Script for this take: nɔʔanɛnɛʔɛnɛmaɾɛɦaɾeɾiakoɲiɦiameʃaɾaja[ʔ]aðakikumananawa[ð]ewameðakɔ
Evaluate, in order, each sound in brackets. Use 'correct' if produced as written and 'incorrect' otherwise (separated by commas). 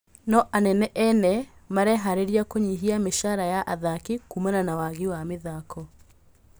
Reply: correct, incorrect